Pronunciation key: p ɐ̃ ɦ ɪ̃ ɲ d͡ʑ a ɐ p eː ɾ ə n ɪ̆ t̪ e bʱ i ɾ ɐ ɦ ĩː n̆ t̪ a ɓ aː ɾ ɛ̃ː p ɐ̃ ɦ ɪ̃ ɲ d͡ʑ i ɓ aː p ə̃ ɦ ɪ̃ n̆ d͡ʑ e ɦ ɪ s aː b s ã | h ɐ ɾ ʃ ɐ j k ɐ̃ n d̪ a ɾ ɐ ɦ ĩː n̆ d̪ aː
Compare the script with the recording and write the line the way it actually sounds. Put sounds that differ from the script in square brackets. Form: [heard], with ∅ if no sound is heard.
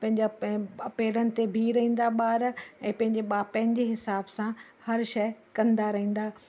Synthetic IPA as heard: p ɐ̃ ɦ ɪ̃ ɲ d͡ʑ a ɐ p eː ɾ ə n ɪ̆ t̪ e bʱ i ɾ ɐ ɦ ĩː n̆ [d̪] a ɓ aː ɾ ɛ̃ː p ɐ̃ ɦ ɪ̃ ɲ d͡ʑ [e] ɓ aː p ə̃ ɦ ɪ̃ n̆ d͡ʑ e ɦ ɪ s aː b s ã | h ɐ ɾ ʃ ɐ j k ɐ̃ n d̪ a ɾ ɐ ɦ ĩː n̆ d̪ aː

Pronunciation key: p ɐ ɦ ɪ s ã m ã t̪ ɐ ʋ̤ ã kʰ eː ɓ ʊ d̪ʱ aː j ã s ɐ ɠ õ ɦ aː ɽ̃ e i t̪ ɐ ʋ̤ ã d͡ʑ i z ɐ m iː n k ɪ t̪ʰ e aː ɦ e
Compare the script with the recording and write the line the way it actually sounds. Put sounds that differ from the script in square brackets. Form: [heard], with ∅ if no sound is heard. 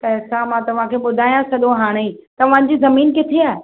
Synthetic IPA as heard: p ɐ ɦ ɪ s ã m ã t̪ ɐ ʋ̤ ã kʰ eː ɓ ʊ d̪ʱ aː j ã s ɐ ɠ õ ɦ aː ɽ̃ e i t̪ ɐ ʋ̤ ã d͡ʑ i z ɐ m iː n k ɪ t̪ʰ e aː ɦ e

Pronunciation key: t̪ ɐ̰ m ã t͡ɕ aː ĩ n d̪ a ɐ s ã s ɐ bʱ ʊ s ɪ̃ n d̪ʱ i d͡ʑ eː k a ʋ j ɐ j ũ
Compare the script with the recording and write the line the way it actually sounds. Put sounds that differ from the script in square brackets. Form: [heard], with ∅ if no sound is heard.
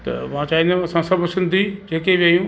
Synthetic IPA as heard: t̪ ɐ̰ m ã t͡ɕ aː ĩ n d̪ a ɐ s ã s ɐ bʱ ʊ s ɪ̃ n d̪ʱ i d͡ʑ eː k [e] ʋ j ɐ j ũ

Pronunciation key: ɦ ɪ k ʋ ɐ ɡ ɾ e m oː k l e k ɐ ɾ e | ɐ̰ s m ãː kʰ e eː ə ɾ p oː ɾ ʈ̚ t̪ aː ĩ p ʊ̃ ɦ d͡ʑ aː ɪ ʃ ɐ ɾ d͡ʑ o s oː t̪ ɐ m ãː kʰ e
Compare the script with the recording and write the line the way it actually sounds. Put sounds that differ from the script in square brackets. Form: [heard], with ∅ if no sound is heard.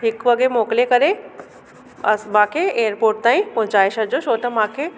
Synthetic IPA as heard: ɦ ɪ k ʋ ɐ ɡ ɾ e m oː k l e k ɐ ɾ e | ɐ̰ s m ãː kʰ e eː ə ɾ p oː ɾ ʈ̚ t̪ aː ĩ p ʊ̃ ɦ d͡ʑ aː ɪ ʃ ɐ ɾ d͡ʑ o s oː t̪ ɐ m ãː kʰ e

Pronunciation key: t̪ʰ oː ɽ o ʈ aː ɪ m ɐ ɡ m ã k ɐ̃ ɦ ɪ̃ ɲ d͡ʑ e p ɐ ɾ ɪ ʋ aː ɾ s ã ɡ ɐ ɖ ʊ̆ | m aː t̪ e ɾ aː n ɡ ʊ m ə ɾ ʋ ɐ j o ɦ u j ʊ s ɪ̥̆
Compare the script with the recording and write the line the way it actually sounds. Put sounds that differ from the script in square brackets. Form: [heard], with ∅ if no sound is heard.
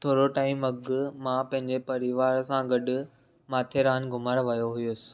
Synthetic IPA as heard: t̪ʰ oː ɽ o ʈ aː ɪ m ɐ ɡ m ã [p] ɐ̃ ɦ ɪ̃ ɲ d͡ʑ e p ɐ ɾ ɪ ʋ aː ɾ s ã ɡ ɐ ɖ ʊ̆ | m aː [t̪ʰ] e ɾ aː n ɡ ʊ m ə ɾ ʋ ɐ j o ɦ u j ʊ s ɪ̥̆

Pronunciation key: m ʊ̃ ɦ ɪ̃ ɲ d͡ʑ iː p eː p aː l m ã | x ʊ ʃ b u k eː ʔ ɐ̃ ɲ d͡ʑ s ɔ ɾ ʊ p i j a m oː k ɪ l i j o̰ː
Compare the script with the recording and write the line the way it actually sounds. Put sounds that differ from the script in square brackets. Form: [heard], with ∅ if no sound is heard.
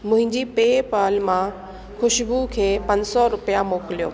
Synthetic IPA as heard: m ʊ̃ ɦ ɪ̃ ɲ d͡ʑ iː p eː p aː l m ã | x ʊ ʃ b u [kʰ] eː [p] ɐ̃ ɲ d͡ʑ s ɔ ɾ ʊ p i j a m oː k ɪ l i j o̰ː

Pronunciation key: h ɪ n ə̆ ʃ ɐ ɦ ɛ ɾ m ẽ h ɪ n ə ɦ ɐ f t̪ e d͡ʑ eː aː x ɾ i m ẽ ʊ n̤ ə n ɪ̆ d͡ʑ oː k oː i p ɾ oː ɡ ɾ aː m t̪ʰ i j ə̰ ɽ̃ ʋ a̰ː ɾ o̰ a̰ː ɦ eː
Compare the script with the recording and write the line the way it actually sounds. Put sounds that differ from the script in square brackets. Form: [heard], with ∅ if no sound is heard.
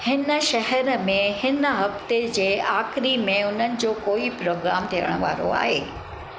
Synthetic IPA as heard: h ɪ n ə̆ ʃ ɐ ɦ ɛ ɾ m ẽ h ɪ n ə ɦ ɐ f t̪ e d͡ʑ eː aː x ɾ i m ẽ ʊ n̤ ə n ɪ̆ d͡ʑ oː k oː i p ɾ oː ɡ ɾ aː m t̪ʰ i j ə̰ ɽ̃ ʋ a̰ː ɾ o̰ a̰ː ɦ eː

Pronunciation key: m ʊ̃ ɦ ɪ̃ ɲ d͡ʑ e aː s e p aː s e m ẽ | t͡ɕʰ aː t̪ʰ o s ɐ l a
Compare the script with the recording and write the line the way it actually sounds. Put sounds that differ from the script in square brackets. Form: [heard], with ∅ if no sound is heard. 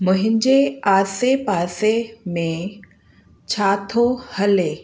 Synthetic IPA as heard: m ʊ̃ ɦ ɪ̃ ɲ d͡ʑ e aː s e p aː s e m ẽ | t͡ɕʰ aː t̪ʰ o [h] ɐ l [e]

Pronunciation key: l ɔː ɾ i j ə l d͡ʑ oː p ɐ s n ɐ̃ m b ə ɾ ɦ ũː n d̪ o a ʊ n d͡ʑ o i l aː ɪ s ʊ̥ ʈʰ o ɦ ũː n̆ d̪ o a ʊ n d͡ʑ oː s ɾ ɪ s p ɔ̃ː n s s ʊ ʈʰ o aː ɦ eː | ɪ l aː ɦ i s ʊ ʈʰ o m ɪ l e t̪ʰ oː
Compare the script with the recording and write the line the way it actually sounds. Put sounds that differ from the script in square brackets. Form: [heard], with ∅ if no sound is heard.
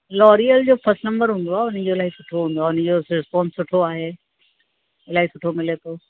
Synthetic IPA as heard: l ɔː ɾ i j ə l d͡ʑ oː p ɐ s n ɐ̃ m b ə ɾ ɦ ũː n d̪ o a ʊ n d͡ʑ o [ɪ] l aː [i] s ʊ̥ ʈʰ o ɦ ũː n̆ d̪ o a ʊ n d͡ʑ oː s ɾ ɪ s p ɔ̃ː n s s ʊ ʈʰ o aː ɦ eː | ɪ l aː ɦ i s ʊ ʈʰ o m ɪ l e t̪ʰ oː

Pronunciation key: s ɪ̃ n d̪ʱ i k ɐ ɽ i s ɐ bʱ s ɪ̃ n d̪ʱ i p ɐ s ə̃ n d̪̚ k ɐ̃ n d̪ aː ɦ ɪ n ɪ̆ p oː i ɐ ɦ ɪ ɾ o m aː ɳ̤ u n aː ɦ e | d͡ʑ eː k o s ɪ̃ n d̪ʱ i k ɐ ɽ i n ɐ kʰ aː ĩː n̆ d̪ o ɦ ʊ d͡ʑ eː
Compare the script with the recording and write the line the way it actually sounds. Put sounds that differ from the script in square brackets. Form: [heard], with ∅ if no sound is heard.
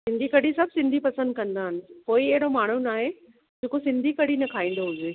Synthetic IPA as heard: s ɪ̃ n d̪ʱ i k ɐ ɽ i s ɐ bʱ s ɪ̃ n d̪ʱ i p ɐ s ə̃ n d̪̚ k ɐ̃ n d̪ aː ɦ ɪ n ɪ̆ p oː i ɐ ɦ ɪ [ɽ] o m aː ɳ̤ u n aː ɦ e | d͡ʑ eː k o s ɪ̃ n d̪ʱ i k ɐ ɽ i n ɐ kʰ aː ĩː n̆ d̪ o ɦ ʊ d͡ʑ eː

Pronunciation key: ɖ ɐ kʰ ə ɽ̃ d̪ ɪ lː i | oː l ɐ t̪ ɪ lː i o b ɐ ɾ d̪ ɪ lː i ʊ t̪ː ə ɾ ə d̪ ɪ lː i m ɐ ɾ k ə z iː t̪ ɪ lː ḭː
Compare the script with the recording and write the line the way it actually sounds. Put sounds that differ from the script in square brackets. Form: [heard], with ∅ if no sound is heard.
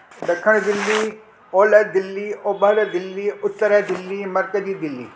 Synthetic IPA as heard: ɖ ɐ kʰ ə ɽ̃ d̪ ɪ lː i | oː l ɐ [d̪] ɪ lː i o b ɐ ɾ d̪ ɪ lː i ʊ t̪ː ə ɾ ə d̪ ɪ lː i m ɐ ɾ k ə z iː [d̪] ɪ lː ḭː

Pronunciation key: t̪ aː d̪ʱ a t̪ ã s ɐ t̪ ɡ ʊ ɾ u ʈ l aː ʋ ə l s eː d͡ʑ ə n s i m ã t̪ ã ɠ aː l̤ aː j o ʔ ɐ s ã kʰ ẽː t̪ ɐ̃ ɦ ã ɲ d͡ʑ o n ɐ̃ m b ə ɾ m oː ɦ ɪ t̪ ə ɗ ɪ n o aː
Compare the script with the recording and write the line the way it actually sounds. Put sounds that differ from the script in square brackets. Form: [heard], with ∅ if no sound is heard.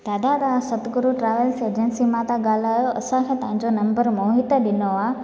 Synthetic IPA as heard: t̪ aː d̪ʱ a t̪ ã s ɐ t̪ ɡ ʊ ɾ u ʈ [ɾ] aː ʋ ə l s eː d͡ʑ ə n s i m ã t̪ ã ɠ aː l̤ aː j o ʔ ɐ s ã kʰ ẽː t̪ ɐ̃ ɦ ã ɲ d͡ʑ o n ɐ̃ m b ə ɾ m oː ɦ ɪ t̪ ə ɗ ɪ n o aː

